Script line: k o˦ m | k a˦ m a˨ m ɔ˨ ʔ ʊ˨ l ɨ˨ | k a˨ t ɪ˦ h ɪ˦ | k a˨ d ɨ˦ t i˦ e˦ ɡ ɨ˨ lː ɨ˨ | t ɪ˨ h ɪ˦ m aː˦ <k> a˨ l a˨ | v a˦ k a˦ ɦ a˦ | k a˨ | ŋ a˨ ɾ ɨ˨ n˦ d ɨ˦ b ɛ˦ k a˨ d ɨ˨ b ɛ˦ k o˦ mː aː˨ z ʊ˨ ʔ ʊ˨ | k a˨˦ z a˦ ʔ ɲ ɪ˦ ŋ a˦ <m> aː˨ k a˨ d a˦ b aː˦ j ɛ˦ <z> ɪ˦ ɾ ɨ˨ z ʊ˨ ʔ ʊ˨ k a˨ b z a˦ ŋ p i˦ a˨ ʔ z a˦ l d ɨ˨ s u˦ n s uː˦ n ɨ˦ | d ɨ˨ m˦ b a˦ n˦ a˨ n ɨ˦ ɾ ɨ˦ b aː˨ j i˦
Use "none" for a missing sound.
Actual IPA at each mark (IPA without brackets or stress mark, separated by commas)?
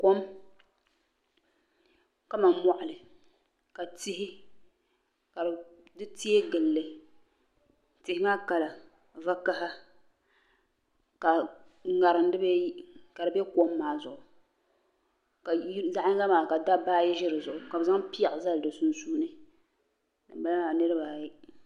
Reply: k, m, ʒ